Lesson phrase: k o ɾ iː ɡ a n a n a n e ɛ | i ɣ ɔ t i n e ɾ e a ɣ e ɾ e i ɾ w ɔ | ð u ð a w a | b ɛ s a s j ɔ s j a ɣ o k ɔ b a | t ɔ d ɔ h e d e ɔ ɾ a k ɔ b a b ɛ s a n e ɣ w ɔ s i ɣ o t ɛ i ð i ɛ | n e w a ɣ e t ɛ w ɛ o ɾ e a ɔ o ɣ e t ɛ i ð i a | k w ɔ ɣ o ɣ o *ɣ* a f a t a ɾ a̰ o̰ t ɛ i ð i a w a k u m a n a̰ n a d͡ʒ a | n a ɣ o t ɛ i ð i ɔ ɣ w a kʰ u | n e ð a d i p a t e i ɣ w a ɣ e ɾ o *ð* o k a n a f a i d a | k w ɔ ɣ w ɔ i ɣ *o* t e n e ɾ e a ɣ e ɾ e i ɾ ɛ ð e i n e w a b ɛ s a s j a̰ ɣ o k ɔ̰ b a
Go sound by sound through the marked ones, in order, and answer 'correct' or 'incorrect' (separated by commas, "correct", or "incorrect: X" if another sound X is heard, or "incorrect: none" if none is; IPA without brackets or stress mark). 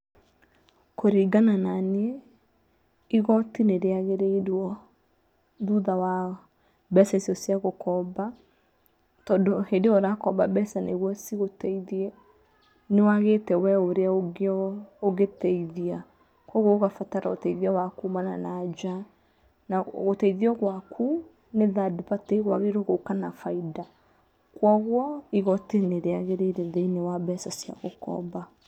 correct, incorrect: ɣ, incorrect: ɔ